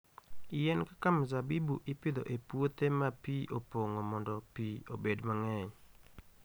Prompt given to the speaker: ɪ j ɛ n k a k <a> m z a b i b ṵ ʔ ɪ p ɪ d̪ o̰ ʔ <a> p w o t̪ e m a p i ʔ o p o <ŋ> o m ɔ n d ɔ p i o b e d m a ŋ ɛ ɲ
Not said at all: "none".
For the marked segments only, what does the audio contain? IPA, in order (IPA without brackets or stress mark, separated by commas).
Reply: a, e, ŋ